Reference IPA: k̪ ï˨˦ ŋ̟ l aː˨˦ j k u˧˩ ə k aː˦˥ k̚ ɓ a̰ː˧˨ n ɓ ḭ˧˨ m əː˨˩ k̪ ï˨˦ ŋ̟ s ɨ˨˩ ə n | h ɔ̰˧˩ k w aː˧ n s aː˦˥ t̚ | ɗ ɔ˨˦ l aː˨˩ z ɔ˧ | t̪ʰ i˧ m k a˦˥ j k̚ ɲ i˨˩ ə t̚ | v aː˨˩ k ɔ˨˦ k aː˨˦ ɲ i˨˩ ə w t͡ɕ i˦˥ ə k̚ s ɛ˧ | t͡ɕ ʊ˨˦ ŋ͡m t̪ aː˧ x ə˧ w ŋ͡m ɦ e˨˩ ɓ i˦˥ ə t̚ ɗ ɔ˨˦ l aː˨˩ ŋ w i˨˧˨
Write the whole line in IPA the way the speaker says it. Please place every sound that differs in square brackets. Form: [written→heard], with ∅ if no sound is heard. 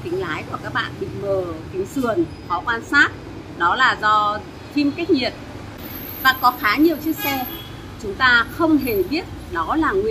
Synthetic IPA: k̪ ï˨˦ ŋ̟ l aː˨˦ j k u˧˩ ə k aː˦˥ k̚ ɓ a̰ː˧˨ n ɓ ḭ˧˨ m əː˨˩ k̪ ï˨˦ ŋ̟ s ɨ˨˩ ə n | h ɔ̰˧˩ k w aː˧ n s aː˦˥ t̚ | ɗ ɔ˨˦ l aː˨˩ z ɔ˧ | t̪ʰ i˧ m k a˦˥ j k̚ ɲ i˨˩ ə t̚ | v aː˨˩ k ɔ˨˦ [k→x] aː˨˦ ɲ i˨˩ ə w t͡ɕ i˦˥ ə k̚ s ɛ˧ | t͡ɕ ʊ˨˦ ŋ͡m t̪ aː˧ x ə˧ w ŋ͡m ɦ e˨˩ ɓ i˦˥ ə t̚ ɗ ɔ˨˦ l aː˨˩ ŋ w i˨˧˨